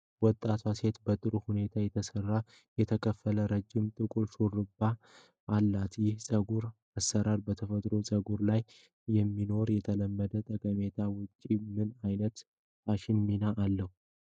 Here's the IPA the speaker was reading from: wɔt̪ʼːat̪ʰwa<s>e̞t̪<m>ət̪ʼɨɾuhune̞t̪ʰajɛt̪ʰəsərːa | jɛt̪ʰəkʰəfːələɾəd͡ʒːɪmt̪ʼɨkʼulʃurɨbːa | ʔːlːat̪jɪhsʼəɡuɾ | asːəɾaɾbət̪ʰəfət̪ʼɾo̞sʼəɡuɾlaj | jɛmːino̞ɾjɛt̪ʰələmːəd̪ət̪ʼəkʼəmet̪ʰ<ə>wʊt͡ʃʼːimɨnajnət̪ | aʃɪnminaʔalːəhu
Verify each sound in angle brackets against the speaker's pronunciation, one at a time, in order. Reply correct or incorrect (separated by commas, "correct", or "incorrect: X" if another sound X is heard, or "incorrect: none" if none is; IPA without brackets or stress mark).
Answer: correct, incorrect: b, incorrect: a